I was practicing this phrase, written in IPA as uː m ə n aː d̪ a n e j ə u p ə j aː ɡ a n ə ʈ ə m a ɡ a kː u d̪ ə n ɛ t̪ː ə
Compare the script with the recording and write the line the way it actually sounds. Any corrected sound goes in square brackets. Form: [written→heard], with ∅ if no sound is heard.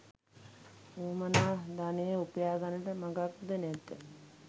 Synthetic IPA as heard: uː m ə n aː d̪ a n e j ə u p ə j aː ɡ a n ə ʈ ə m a ɡ a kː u d̪ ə n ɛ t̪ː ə